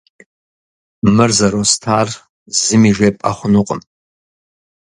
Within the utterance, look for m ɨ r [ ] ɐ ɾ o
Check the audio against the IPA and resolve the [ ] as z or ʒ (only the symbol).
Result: z